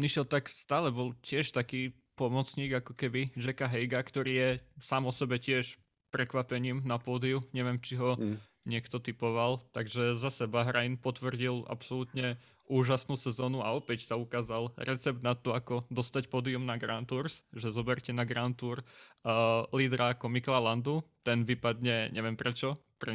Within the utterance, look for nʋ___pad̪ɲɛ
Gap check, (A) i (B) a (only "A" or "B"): A